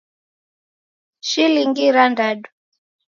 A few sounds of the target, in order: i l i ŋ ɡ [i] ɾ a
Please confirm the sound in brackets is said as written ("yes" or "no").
yes